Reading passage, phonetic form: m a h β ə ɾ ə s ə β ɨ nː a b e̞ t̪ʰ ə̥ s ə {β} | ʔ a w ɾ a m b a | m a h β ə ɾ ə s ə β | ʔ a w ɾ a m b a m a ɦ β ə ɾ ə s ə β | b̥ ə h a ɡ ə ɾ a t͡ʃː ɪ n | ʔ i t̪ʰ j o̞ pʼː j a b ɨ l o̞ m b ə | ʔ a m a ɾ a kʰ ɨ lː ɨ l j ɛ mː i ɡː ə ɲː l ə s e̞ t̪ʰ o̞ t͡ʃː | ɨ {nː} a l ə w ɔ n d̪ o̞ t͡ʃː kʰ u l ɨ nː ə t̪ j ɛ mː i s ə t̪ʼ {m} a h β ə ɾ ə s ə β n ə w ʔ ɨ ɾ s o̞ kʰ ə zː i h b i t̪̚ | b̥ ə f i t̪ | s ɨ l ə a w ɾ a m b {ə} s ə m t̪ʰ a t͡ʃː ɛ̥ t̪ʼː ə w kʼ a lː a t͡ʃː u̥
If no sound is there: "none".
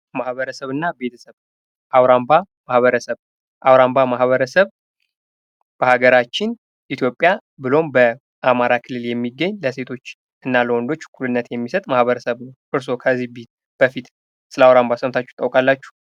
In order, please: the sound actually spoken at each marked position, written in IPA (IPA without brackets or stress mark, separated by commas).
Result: β, nː, m, a